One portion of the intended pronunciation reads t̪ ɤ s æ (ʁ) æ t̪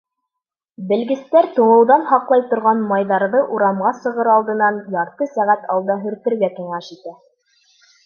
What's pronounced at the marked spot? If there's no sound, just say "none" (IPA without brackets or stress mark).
ʁ